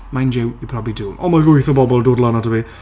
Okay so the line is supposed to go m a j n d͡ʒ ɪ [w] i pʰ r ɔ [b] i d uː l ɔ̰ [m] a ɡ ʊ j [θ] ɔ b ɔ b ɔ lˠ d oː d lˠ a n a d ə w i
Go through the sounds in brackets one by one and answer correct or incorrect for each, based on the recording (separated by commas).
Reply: correct, correct, correct, correct